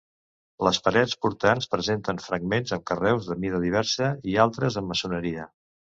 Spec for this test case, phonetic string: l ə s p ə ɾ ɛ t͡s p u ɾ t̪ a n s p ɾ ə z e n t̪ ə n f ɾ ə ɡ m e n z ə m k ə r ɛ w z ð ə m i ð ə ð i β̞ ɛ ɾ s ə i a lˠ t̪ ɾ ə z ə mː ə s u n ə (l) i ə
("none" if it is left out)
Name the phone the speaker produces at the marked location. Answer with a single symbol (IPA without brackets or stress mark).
ɾ